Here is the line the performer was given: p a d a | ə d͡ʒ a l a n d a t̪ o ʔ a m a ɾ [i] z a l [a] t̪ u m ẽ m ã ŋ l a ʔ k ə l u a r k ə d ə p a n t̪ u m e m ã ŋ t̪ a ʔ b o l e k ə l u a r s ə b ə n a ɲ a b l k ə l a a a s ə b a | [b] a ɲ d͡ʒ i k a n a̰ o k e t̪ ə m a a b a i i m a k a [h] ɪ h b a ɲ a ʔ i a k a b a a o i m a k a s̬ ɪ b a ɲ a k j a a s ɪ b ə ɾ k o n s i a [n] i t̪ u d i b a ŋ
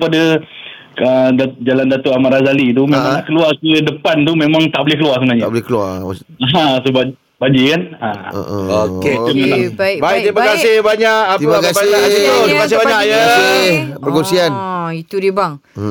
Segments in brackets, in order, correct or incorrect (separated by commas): incorrect, incorrect, correct, incorrect, correct